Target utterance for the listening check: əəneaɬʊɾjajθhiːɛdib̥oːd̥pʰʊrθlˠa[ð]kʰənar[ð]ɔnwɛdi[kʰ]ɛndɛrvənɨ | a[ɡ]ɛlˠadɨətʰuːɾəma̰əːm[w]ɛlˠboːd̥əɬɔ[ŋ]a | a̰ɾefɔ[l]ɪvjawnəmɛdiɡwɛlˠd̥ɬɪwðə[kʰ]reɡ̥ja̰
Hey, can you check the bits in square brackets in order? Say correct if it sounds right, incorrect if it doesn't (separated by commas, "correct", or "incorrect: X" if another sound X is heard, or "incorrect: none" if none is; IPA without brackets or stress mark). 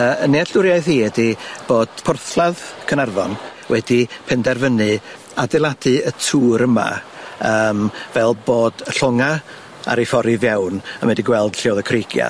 correct, incorrect: v, incorrect: pʰ, incorrect: d, incorrect: v, correct, incorrect: ɾ, correct